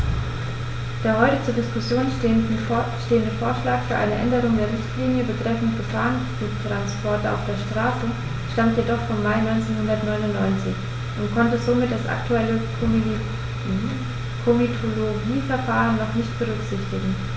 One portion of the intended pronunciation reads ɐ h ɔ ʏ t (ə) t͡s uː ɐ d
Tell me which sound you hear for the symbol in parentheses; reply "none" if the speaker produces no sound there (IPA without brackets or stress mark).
ə